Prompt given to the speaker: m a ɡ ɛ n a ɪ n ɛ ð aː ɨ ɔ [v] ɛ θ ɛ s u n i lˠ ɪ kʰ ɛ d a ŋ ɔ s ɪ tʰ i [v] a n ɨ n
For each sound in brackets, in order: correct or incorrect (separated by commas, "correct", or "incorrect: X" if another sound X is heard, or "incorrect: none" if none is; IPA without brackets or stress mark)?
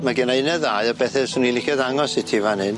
incorrect: b, correct